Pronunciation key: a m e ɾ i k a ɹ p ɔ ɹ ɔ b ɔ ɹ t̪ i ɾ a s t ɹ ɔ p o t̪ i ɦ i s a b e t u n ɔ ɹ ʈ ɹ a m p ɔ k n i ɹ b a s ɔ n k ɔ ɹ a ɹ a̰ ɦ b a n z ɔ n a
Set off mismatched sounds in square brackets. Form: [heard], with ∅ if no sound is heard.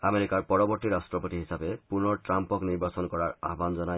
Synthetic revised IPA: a m e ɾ i k a ɹ p ɔ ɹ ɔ b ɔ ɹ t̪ i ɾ a s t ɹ ɔ p o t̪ i ɦ i s a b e [p] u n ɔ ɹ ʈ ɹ a m p ɔ k n i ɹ b a s ɔ n k ɔ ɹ a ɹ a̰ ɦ b a n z ɔ n a